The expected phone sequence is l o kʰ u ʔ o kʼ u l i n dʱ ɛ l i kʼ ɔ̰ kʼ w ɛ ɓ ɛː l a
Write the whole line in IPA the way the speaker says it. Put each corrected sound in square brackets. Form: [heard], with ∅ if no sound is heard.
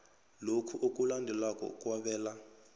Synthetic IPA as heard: l o kʰ u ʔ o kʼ u l [a] n dʱ ɛ l [a] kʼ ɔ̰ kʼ w [a] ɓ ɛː l a